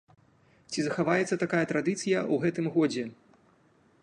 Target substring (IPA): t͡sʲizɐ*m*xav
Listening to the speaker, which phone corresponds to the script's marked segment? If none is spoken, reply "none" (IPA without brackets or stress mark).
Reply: none